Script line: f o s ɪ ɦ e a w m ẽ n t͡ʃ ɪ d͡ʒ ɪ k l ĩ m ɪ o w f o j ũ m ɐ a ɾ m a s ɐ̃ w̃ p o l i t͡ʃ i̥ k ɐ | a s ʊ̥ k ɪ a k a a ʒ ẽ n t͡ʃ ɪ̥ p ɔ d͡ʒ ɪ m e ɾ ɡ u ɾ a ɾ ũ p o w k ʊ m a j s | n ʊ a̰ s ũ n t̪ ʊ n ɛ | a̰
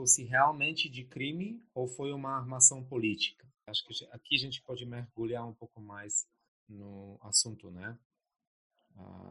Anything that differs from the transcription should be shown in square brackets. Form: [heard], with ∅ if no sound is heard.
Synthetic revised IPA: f o s ɪ ɦ e a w m ẽ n t͡ʃ ɪ d͡ʒ ɪ k [ɾ] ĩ m ɪ o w f o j ũ m ɐ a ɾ m a s ɐ̃ w̃ p o l i t͡ʃ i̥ k ɐ | a [ʃ] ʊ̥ k ɪ a k [i] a ʒ ẽ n t͡ʃ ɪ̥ p ɔ d͡ʒ ɪ m e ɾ ɡ u [ʎ] a ɾ ũ p o w k ʊ m a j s | n ʊ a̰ s ũ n t̪ ʊ n ɛ | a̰